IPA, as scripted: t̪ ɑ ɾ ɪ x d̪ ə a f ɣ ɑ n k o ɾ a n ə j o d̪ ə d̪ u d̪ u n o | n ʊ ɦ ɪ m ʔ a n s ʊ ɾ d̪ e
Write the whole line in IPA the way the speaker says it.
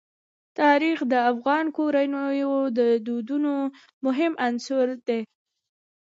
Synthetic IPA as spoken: t̪ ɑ ɾ i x d̪ ə a f ɣ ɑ n k o ɾ a n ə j o d̪ ə d̪ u d̪ u n o | m ʊ ɦ ɪ m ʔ a n s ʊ ɾ d̪ e